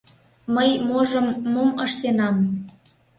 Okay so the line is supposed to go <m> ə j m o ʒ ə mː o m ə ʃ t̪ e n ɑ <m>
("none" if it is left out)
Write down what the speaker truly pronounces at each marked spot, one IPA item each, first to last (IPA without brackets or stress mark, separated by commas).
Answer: m, m